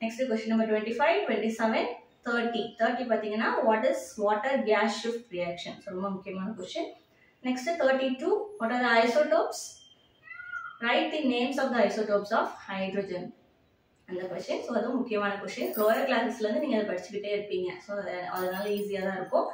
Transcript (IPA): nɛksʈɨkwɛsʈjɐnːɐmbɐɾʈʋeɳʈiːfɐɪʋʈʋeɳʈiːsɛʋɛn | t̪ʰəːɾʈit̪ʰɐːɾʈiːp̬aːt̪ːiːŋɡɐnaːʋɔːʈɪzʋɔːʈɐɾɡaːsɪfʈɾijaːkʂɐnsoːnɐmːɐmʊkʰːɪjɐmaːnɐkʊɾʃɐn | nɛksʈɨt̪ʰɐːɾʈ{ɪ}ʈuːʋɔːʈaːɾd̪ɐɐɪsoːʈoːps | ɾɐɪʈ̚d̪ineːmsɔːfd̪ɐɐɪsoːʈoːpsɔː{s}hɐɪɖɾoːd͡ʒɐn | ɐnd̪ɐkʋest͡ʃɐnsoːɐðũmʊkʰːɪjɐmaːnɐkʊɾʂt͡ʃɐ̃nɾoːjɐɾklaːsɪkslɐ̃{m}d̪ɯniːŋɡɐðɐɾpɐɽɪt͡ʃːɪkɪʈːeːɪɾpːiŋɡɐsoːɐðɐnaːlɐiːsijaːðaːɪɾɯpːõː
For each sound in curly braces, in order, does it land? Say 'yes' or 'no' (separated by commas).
no, no, no